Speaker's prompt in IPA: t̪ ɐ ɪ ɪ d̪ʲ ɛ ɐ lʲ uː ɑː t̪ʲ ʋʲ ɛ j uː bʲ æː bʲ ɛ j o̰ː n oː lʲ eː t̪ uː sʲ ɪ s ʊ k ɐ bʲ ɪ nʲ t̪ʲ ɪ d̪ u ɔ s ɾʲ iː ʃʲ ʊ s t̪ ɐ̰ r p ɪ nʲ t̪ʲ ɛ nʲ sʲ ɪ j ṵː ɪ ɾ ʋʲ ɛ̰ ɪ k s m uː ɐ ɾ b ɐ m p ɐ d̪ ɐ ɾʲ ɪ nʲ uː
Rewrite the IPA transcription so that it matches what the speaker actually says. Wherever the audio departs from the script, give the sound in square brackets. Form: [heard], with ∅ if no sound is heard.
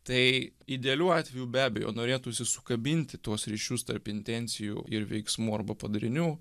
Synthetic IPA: t̪ ɐ ɪ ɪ d̪ʲ ɛ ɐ lʲ uː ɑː t̪ʲ ʋʲ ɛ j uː bʲ æː bʲ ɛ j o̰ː n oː [ɾʲ] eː t̪ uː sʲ ɪ s ʊ k ɐ bʲ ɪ nʲ t̪ʲ ɪ [t̪] u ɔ s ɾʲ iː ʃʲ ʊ s t̪ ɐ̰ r p ɪ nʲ t̪ʲ ɛ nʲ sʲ ɪ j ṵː ɪ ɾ ʋʲ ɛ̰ ɪ k s m uː ɐ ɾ b ɐ [∅] p ɐ d̪ ɐ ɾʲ ɪ nʲ uː